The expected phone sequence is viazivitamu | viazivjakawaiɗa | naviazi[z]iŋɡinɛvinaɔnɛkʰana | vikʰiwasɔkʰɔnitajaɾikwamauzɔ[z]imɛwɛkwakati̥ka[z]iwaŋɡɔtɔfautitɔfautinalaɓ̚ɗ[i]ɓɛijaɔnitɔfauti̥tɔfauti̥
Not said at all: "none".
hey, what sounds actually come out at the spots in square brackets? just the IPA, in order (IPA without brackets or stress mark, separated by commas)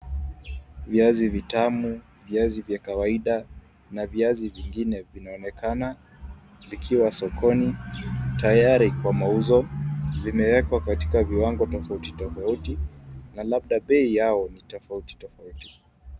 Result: v, v, v, a